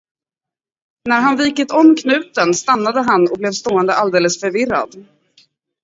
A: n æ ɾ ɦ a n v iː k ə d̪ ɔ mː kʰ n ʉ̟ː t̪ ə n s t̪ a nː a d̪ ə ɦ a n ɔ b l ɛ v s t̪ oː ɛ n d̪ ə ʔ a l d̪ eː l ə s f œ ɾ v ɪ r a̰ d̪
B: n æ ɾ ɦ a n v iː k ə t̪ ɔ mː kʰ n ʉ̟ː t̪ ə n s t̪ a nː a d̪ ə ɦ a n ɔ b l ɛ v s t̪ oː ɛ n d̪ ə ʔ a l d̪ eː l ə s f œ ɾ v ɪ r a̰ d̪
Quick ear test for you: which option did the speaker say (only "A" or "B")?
B